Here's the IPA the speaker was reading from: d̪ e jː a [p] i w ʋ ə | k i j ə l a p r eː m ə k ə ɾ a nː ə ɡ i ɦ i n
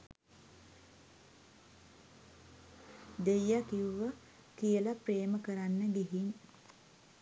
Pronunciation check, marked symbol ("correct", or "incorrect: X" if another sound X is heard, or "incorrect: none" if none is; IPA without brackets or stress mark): incorrect: k